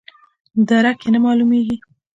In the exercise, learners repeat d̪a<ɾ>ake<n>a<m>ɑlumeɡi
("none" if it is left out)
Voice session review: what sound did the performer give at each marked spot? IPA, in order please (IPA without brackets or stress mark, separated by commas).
ɾ, n, m